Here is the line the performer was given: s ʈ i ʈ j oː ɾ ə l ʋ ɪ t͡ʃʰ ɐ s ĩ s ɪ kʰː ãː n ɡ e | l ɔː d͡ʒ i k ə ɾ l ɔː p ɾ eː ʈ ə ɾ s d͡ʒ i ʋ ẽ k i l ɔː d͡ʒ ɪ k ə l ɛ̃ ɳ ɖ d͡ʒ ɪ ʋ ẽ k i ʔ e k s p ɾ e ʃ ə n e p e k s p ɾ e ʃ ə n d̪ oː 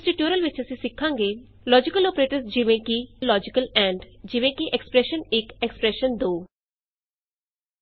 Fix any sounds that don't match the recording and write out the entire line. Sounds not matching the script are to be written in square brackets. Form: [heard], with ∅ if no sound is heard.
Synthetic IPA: s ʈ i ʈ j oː ɾ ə l ʋ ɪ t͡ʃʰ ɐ s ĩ s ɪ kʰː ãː [ŋ] ɡ e | l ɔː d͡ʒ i k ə [∅] l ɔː p ɾ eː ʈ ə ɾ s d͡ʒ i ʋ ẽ k i l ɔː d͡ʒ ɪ k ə l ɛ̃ ɳ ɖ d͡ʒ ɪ ʋ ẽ k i ʔ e k s p ɾ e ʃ ə n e [k] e k s p ɾ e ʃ ə n d̪ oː